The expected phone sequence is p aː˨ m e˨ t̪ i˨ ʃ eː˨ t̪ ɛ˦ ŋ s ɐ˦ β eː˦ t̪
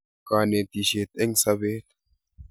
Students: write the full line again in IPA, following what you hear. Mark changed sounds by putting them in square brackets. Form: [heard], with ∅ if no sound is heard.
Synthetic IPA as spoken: [k] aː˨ [n] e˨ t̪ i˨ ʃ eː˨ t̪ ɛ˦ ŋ s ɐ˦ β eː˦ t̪